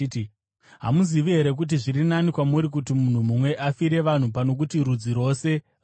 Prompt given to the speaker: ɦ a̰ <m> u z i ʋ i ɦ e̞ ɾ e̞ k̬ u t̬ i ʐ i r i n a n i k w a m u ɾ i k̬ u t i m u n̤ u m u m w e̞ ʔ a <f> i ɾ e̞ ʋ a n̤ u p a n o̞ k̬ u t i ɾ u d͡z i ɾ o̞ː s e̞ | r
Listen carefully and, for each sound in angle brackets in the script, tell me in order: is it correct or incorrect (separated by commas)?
correct, correct